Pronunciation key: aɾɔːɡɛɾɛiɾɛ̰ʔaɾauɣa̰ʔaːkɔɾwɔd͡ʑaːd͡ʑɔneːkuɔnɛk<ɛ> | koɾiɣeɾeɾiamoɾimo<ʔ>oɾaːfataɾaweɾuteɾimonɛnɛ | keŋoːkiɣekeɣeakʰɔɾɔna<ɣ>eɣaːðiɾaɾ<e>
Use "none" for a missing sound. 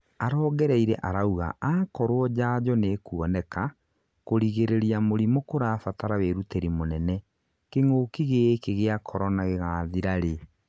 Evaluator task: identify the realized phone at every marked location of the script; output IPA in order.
a, k, ɣ, e

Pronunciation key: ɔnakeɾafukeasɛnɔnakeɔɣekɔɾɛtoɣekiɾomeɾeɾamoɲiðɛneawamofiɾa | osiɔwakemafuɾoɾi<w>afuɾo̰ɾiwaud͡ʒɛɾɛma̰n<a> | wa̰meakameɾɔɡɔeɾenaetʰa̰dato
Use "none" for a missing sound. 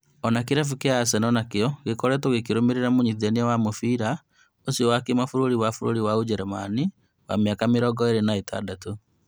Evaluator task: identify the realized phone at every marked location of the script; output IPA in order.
w, i

